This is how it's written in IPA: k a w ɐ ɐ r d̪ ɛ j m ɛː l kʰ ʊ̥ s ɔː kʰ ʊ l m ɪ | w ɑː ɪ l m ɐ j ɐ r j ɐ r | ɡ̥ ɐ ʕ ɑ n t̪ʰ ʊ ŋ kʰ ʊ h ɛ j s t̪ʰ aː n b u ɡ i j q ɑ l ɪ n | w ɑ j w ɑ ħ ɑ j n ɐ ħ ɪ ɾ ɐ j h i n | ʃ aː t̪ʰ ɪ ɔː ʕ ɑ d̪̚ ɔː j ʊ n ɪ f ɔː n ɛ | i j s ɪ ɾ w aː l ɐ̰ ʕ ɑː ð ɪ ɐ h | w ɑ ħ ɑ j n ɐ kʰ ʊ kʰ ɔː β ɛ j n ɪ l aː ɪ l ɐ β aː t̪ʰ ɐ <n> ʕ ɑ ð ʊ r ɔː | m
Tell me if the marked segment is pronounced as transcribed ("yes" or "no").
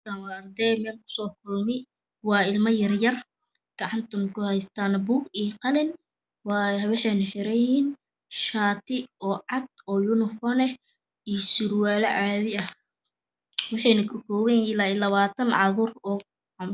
yes